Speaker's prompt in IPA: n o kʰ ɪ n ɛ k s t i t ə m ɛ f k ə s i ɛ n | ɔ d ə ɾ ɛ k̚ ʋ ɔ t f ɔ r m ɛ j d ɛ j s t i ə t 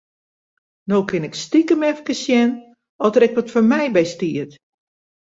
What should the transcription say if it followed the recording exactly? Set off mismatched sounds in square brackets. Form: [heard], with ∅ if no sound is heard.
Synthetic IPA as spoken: n o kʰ ɪ n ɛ k s t i [k] ə m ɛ f k ə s [j] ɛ n | ɔ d ə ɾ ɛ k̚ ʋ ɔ t f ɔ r m ɛ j [b] ɛ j s t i ə t